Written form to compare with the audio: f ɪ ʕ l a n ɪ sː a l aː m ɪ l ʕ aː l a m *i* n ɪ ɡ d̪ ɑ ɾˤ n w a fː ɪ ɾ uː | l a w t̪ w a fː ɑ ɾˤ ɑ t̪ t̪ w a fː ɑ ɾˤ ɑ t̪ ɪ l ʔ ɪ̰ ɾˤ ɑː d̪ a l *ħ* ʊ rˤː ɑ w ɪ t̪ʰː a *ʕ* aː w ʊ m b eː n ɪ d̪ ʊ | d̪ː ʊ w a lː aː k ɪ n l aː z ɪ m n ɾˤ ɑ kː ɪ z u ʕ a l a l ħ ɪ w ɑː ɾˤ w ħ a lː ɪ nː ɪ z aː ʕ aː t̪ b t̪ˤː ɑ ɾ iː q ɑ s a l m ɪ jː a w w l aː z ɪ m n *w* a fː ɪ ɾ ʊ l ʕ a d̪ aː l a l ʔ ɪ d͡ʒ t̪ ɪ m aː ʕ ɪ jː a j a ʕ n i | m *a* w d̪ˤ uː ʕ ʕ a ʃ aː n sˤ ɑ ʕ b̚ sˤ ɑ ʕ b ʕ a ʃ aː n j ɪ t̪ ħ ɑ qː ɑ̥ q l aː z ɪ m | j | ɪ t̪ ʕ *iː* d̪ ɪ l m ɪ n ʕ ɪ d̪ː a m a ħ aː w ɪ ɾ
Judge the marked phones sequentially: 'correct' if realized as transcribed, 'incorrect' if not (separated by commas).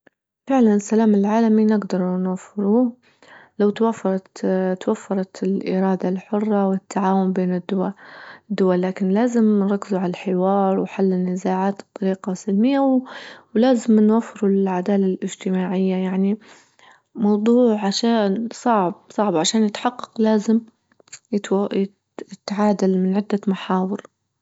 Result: correct, correct, correct, correct, incorrect, incorrect